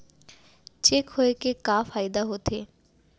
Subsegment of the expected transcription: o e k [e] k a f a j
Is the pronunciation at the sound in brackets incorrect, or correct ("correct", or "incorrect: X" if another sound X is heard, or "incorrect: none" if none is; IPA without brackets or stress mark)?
correct